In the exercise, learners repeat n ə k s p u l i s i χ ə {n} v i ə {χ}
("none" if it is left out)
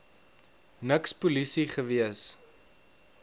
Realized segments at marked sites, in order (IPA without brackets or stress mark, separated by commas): none, s